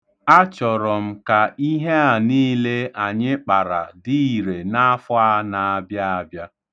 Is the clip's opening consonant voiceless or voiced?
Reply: voiceless